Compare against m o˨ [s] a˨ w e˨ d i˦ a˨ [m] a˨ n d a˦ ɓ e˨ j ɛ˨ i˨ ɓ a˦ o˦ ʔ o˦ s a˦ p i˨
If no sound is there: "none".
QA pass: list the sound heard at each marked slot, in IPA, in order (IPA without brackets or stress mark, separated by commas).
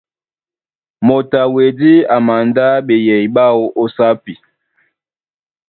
t, m